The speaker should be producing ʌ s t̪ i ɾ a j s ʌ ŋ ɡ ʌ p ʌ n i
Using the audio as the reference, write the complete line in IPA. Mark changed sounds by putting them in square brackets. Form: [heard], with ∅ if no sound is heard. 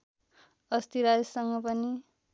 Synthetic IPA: ʌ s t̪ i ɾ a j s ʌ ŋ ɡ ʌ p ʌ n i